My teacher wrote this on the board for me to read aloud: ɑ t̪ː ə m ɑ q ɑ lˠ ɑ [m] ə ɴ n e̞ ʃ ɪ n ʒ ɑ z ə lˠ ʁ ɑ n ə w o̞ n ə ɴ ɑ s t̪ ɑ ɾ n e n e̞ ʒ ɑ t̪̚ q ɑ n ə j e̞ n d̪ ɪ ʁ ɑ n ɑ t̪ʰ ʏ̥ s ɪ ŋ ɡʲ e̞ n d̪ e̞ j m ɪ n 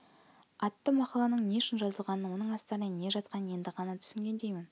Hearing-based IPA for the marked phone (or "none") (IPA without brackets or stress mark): n